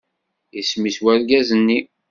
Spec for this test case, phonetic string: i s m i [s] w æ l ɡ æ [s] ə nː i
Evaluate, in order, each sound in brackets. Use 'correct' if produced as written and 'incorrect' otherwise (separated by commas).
correct, incorrect